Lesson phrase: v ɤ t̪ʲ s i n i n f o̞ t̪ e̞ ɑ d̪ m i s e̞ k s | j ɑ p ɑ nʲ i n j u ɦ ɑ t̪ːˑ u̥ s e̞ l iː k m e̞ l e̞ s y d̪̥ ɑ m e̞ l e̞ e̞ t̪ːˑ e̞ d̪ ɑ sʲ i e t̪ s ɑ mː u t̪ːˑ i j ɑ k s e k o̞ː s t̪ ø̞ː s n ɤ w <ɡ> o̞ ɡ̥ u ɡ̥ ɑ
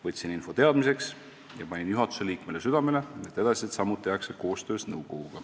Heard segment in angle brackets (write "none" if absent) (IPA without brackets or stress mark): k